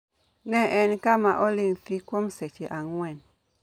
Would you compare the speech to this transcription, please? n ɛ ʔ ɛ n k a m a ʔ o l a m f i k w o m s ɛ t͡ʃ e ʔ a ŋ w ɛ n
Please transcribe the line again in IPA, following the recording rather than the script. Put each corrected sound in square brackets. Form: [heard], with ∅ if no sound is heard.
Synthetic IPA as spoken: n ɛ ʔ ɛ n k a m a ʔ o l [i] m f i k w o m s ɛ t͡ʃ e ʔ a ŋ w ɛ n